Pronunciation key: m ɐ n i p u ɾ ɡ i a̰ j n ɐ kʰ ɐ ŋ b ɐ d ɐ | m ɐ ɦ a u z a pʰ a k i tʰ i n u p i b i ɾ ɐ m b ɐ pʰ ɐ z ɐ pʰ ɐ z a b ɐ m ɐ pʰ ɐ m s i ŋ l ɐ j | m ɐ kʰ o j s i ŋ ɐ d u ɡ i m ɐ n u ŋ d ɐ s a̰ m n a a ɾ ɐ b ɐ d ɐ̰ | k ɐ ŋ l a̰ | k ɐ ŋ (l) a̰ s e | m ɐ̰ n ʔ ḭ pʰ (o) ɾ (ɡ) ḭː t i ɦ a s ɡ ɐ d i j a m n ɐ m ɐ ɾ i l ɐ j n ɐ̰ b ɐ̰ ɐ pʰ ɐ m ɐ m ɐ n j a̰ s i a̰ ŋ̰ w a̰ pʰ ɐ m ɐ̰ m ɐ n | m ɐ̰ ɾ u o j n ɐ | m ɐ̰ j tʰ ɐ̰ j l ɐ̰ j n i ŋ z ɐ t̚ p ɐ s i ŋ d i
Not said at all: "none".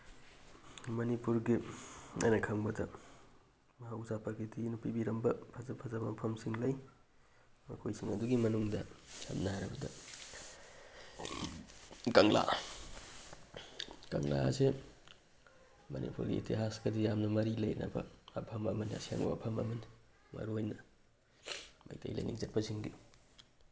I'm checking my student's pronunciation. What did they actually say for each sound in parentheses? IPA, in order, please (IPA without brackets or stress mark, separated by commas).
l, u, ɡ